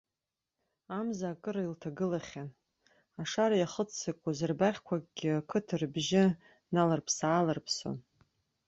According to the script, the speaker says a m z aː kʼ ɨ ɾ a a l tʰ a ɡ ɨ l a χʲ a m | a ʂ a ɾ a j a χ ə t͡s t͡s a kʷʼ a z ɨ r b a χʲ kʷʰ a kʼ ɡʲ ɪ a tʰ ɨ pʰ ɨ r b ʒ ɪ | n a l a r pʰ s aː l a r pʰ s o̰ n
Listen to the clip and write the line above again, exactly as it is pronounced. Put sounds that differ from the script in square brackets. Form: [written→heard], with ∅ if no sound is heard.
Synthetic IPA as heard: a m z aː kʼ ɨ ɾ a [a→i] l tʰ a ɡ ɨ l a χʲ a [m→n] | a ʂ a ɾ a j a χ ə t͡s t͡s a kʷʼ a z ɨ r b a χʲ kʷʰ a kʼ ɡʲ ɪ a [tʰ→kʰ] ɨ [pʰ→tʰ] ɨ r b ʒ ɪ | n a l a r pʰ s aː l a r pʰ s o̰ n